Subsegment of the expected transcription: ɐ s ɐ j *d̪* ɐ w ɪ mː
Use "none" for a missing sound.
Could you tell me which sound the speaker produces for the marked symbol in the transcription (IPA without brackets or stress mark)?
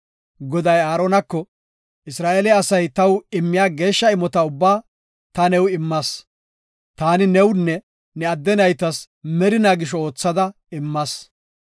t̪